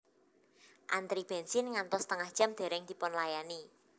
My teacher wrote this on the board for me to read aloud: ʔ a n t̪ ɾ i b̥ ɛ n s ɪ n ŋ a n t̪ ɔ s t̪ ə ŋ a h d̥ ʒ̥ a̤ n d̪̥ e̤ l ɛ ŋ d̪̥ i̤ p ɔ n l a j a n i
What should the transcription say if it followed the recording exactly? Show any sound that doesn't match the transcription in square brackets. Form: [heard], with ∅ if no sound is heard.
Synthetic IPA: ʔ a n t̪ ɾ i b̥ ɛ n s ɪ n ŋ a n t̪ ɔ s t̪ ə ŋ a h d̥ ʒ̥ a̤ [m] d̪̥ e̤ [ɾ] ɛ ŋ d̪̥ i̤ p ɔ n l a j a n i